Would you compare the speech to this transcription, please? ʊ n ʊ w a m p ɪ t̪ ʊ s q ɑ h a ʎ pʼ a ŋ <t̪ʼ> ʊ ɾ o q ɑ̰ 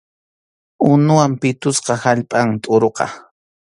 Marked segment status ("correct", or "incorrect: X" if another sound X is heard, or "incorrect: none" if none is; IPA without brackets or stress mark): correct